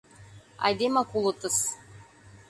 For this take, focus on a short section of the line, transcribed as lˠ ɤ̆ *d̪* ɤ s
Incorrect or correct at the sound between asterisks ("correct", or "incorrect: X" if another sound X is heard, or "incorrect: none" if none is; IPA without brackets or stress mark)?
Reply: incorrect: t̪